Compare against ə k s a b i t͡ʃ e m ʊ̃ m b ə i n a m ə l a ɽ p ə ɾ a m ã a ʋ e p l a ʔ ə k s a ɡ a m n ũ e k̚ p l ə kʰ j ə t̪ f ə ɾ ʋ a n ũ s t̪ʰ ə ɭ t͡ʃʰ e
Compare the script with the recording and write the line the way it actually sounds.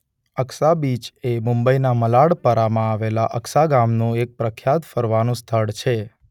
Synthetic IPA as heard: ə k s a b i t͡ʃ e m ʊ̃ m b ə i n a m ə l a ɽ p ə ɾ a m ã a ʋ e l a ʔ ə k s a ɡ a m n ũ e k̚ p ɾ ə kʰ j a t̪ f ə ɾ ʋ a n ũ s t̪ʰ ə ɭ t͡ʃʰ e